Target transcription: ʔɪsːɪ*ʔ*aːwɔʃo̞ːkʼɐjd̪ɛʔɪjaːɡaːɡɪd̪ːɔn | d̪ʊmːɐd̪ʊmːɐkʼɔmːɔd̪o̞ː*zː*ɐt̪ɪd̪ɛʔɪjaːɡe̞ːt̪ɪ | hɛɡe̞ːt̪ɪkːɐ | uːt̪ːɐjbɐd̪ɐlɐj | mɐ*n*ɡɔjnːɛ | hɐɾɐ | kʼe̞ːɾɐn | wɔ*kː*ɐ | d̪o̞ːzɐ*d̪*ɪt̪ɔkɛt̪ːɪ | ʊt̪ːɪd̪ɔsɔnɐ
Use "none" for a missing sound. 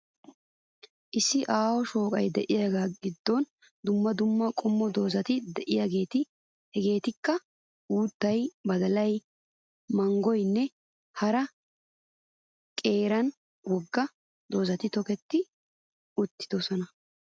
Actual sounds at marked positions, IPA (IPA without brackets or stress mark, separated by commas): ʔ, z, ŋ, ɡː, t̪